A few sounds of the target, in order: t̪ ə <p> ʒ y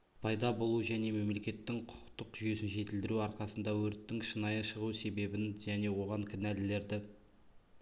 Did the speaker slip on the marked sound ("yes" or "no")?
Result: yes